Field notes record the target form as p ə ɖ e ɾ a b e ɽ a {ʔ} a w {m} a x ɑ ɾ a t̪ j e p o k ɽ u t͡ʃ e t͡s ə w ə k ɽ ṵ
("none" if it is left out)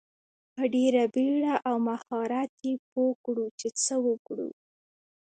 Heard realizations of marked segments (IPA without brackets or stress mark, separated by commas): ʔ, m